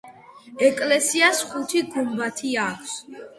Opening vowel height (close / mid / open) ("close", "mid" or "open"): mid